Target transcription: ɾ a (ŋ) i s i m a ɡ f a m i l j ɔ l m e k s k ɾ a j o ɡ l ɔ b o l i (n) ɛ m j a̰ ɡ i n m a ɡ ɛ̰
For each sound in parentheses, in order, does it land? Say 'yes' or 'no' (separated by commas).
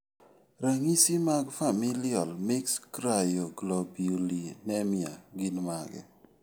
yes, yes